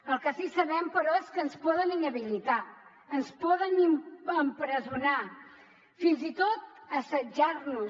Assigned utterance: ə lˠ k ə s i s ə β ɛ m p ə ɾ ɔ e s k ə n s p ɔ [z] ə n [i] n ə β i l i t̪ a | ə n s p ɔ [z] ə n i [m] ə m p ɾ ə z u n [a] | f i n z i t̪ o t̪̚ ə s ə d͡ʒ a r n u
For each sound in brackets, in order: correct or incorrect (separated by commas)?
incorrect, correct, incorrect, correct, correct